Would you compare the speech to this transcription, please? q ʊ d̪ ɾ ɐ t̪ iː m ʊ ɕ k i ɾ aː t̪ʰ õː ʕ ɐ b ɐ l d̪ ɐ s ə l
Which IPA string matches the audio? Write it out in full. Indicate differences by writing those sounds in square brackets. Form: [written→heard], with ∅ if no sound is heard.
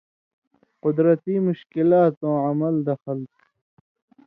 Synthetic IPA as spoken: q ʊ d̪ ɾ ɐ t̪ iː m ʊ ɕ k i [ɾ→l] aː [t̪ʰ→t̪] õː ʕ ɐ [b→m] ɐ l d̪ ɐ [s→x] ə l